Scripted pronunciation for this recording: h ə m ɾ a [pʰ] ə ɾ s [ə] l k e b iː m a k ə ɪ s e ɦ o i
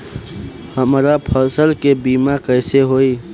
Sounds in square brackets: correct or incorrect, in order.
correct, correct

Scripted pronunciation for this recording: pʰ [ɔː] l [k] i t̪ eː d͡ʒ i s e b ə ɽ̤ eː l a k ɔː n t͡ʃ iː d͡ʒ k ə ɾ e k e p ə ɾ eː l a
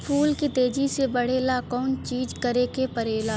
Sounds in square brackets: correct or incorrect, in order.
incorrect: uː, correct

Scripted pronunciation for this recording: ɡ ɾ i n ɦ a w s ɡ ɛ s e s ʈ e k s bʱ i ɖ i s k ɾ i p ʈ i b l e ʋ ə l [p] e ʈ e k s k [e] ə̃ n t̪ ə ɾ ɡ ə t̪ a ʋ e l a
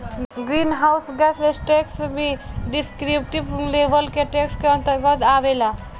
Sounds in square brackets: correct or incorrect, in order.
incorrect: k, correct

